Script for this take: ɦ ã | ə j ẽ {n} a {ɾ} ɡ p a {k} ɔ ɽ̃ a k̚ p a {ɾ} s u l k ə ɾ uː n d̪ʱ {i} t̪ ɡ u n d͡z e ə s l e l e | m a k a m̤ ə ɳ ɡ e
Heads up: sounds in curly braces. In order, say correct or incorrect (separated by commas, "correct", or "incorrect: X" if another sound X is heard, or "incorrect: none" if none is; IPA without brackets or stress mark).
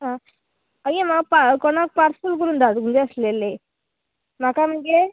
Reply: incorrect: m, incorrect: none, correct, correct, incorrect: a